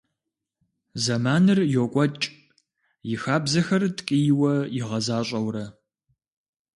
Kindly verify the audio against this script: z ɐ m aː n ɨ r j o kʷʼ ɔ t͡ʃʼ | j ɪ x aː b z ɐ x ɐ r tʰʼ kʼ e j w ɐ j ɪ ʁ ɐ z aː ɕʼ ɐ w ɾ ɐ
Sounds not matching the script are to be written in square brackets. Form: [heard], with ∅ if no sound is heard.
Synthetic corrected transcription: z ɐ m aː n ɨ r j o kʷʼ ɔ t͡ʃʼ | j ɪ x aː b z ɐ x ɐ r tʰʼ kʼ [i] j w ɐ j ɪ ʁ ɐ z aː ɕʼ ɐ w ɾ ɐ